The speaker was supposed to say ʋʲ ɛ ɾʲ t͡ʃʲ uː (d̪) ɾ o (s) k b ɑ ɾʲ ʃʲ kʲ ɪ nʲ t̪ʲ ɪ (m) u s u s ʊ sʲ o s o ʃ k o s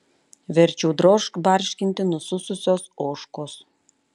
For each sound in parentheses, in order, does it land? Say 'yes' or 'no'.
yes, no, no

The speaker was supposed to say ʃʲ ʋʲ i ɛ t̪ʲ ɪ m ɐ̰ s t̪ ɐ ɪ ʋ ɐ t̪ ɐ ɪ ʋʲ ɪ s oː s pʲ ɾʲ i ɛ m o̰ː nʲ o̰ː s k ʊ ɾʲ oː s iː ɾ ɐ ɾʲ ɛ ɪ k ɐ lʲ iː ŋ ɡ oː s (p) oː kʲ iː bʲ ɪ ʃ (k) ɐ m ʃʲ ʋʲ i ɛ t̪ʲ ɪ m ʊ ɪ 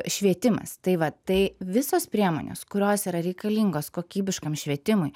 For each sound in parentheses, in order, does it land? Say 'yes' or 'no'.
no, yes

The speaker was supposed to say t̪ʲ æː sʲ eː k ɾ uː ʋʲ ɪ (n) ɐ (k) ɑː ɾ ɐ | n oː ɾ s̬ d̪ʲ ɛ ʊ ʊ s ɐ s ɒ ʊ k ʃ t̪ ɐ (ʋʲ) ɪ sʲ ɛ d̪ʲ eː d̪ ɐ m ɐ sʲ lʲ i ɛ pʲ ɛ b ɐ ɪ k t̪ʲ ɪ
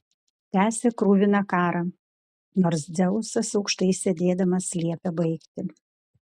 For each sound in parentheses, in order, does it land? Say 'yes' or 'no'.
yes, yes, no

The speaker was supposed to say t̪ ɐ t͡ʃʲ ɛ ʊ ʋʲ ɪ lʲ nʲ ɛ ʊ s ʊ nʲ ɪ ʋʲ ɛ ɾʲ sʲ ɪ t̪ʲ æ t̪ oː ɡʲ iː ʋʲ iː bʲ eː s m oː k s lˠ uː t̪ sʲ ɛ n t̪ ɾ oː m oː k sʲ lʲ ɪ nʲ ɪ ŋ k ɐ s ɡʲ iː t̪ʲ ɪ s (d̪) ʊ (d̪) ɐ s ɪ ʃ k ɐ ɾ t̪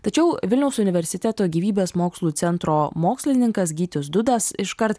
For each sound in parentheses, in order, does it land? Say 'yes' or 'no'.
yes, yes

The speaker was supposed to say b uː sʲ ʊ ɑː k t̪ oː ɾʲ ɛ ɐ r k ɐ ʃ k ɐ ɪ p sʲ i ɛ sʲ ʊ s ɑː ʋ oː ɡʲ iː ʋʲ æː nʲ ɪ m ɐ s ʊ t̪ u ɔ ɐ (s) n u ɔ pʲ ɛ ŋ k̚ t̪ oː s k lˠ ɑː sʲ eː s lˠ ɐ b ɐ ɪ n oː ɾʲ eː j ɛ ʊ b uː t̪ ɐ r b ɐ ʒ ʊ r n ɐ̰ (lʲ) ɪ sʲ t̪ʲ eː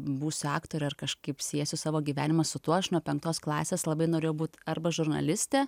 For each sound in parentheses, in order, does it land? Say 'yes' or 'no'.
no, yes

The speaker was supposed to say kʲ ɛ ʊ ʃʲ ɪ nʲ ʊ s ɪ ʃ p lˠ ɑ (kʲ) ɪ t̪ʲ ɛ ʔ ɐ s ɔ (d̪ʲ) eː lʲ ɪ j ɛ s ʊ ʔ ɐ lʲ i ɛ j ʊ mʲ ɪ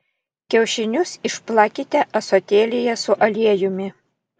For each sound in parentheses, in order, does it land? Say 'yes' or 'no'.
yes, no

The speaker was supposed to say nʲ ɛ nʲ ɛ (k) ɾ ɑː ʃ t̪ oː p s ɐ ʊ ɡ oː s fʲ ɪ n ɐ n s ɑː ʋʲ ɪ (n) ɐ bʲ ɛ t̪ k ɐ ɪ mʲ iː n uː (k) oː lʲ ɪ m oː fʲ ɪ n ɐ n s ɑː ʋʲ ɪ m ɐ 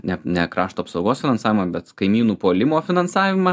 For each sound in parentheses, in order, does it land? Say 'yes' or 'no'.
yes, no, no

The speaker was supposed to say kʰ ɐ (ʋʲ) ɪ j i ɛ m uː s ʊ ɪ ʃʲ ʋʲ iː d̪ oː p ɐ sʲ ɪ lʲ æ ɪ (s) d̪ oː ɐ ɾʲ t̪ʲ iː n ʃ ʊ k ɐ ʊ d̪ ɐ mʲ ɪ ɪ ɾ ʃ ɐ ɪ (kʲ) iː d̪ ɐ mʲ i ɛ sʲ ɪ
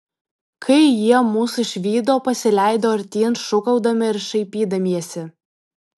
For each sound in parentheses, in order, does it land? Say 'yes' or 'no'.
no, no, no

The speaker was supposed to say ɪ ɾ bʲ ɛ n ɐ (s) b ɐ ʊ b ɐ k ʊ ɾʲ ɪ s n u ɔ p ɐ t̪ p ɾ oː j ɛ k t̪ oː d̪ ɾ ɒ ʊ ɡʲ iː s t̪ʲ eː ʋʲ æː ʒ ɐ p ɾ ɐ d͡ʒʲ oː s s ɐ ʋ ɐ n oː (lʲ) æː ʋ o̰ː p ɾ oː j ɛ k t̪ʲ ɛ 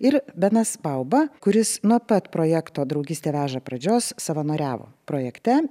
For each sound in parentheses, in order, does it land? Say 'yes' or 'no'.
yes, no

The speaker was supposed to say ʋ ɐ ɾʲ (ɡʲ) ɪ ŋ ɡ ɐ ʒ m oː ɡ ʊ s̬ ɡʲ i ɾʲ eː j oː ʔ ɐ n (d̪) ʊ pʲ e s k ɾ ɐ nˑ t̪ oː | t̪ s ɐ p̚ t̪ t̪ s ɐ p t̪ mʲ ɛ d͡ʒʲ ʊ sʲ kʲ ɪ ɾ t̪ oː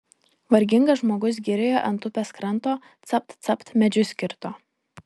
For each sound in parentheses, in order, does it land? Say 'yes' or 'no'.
yes, no

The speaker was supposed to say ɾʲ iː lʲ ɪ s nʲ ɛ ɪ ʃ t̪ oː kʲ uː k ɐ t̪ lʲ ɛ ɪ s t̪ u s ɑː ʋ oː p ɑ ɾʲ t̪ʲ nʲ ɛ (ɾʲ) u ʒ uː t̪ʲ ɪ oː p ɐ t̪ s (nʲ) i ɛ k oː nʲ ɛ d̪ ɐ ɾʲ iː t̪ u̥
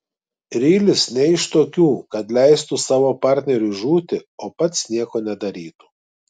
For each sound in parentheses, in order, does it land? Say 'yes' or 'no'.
yes, yes

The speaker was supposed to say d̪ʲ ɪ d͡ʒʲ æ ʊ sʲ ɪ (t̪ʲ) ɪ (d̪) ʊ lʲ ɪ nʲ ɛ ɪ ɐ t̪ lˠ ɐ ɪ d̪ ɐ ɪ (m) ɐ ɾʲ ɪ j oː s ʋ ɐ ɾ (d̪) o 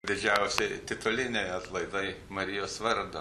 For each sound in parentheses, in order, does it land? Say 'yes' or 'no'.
yes, no, yes, yes

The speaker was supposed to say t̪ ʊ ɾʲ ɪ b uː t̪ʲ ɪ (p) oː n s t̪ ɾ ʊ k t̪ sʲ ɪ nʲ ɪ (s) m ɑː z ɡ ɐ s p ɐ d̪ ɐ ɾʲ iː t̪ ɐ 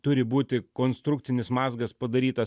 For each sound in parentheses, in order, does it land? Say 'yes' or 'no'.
no, yes

